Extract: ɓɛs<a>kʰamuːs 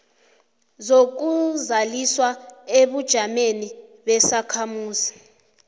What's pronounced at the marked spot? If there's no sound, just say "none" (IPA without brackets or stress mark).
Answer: a